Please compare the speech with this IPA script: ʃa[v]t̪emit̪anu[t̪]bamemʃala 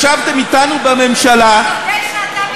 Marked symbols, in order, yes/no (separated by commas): yes, no